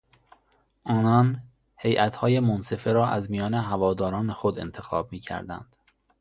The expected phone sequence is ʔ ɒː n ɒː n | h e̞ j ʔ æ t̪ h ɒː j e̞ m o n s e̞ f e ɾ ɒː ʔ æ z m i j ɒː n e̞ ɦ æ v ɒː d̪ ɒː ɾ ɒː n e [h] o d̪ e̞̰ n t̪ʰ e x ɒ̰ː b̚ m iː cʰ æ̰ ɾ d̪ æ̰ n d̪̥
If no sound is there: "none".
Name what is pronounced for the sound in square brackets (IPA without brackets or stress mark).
x